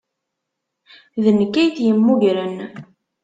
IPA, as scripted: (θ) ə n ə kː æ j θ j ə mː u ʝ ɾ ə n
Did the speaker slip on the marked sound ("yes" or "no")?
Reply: yes